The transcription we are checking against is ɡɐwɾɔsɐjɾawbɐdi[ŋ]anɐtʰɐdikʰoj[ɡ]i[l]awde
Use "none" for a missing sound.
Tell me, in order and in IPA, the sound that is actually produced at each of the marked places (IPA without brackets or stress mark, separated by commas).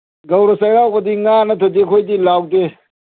ŋ, d, l